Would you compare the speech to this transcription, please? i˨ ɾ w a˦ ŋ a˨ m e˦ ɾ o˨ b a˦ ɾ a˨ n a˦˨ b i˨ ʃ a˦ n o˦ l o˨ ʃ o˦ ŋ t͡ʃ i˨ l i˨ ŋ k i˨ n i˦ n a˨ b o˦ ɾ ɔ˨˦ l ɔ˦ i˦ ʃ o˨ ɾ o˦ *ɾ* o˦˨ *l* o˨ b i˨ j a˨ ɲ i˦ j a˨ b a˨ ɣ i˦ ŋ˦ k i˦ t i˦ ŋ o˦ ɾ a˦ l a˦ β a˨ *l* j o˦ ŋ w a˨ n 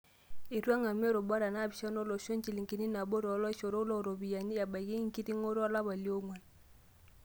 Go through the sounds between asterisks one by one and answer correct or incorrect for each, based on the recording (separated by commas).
incorrect, incorrect, correct